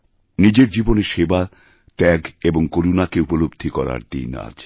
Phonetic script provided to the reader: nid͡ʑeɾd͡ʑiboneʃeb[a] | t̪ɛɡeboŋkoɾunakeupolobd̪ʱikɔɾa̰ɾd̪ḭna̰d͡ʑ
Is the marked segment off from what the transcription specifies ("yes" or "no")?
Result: no